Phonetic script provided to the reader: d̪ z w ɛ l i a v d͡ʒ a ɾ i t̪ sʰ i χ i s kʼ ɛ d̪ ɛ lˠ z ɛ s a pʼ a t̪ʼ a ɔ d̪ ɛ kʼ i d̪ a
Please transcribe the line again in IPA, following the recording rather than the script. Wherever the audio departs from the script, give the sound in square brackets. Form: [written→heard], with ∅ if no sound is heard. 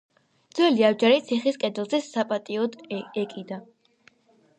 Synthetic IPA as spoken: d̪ z w ɛ l i a v d͡ʒ a ɾ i t̪ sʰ i χ i s kʼ ɛ d̪ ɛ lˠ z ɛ s a pʼ a t̪ʼ [a→i] ɔ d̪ ɛ kʼ i d̪ a